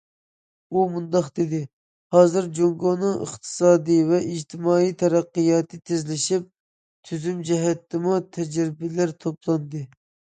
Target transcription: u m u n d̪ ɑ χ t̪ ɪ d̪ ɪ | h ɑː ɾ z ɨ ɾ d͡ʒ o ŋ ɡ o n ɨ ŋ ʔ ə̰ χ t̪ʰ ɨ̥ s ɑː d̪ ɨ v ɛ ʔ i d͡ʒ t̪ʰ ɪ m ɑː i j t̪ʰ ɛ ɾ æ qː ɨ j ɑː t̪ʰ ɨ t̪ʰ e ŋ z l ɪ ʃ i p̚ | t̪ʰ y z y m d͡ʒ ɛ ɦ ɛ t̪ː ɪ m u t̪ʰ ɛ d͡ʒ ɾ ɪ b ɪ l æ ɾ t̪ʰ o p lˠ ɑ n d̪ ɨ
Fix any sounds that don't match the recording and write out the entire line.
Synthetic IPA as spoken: u m u n d̪ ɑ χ d̪ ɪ d̪ ɪ | h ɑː z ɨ ɾ d͡ʒ o ŋ ɡ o n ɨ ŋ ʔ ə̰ χ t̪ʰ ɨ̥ s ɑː d̪ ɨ v ɛ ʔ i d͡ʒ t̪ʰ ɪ m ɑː i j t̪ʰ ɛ ɾ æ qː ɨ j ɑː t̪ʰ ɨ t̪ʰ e z l ɪ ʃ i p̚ | t̪ʰ y z y m d͡ʒ ɛ ɦ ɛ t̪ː ɪ m u t̪ʰ ɛ d͡ʒ ɾ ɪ b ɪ l æ ɾ t̪ʰ o p lˠ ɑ n d̪ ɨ